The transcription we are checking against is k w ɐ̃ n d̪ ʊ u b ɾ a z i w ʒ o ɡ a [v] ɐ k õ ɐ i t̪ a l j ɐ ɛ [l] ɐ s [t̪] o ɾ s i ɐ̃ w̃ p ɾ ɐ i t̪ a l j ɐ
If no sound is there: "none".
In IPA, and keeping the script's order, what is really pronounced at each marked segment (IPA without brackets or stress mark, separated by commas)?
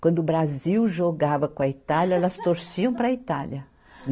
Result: v, l, t̪